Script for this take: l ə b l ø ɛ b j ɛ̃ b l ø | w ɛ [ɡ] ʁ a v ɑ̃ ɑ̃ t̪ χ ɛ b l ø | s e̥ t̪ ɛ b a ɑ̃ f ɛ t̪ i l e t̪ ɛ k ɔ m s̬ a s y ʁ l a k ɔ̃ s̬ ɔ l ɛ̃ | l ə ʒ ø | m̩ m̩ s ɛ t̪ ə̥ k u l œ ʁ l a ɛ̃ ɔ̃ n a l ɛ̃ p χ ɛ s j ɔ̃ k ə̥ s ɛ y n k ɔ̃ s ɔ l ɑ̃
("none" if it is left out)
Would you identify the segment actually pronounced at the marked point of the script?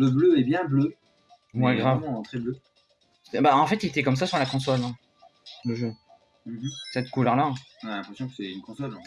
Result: ɡ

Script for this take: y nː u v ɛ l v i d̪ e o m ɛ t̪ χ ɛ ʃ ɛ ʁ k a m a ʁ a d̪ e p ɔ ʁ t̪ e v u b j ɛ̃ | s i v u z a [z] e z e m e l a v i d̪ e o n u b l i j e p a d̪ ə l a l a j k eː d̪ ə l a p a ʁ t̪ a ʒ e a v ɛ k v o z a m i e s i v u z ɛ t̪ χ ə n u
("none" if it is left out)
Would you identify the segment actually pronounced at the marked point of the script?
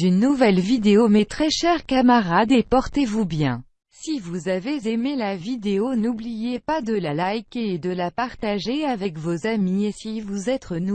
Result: v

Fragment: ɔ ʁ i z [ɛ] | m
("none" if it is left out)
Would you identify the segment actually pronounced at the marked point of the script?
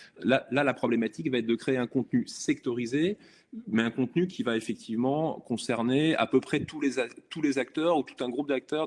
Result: e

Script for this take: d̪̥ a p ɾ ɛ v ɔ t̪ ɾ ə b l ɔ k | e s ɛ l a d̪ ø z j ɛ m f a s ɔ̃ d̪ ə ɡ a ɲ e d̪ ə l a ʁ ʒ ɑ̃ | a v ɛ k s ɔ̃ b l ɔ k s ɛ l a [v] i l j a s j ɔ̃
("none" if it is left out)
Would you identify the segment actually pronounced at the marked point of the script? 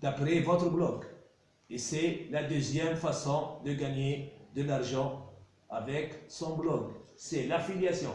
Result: f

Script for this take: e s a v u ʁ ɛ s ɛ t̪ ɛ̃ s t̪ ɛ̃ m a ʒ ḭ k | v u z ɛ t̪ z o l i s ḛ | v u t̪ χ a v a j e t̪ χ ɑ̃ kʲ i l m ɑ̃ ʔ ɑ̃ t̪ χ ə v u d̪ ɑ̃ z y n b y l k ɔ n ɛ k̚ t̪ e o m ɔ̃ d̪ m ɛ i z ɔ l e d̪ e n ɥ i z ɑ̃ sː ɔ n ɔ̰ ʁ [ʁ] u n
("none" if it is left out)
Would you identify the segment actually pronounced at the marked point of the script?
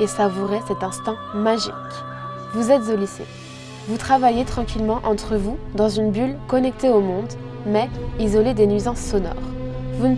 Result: v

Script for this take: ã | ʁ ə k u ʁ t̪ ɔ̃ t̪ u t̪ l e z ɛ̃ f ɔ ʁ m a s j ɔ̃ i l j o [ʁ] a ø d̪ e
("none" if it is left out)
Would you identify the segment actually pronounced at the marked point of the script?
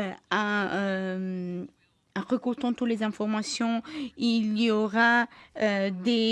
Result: ʁ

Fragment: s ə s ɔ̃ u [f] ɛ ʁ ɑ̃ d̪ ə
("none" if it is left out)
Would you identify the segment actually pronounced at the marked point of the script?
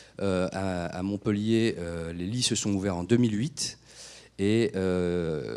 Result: v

